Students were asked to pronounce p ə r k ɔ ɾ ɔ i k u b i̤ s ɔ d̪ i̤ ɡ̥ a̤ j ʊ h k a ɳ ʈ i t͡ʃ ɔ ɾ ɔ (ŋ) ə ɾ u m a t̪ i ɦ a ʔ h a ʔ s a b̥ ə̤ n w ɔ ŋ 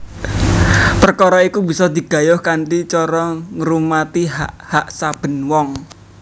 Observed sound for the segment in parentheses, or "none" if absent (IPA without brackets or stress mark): ŋ